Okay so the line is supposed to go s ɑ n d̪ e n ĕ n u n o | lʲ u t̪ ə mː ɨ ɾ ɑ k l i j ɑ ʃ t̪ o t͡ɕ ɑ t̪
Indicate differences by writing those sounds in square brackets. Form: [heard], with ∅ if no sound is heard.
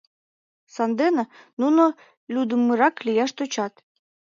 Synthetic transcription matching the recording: s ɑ n d̪ e n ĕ n u n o | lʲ u [d̪] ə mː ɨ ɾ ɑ k l i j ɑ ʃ t̪ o t͡ɕ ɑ t̪

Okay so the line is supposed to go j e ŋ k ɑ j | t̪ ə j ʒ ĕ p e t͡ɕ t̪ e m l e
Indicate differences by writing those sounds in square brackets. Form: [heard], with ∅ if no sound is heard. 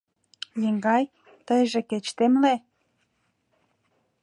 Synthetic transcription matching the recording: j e ŋ [ɡ] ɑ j | t̪ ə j ʒ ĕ [k] e t͡ɕ t̪ e m l e

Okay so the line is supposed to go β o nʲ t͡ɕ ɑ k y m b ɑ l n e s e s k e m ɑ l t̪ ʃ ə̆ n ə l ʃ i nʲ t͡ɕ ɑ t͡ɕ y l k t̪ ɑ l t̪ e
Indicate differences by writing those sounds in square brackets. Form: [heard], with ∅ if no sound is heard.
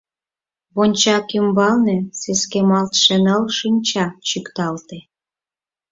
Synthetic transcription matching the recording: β o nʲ t͡ɕ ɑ k y m b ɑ l n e s e s k e m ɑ l t̪ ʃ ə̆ n ə l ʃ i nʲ t͡ɕ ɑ t͡ɕ y [∅] k t̪ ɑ l t̪ e

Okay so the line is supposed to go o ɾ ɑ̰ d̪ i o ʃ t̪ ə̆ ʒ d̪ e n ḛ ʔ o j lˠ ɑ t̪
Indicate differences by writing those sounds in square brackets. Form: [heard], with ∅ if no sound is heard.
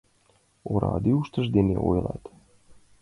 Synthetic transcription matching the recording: o ɾ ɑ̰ d̪ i [u] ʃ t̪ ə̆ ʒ d̪ e n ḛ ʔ o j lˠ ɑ t̪

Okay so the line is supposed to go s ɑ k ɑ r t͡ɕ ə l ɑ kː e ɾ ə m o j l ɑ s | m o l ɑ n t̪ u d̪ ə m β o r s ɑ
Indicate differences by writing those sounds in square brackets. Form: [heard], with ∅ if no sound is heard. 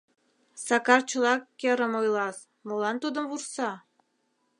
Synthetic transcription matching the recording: s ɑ k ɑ r t͡ɕ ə l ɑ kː e ɾ ə m o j l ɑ s | m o l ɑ n t̪ u d̪ ə m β [u] r s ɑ

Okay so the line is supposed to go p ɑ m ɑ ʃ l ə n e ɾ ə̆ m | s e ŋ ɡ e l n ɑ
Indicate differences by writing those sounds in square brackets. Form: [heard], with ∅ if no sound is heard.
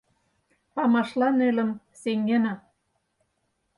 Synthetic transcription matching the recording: p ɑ m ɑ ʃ l [ɑ] n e [l] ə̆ m | s e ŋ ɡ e [∅] n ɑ

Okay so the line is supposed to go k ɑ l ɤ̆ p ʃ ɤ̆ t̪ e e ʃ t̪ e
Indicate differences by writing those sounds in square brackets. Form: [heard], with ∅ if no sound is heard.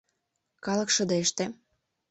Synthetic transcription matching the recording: k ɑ l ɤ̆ [k] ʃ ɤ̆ [d̪] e e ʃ t̪ e

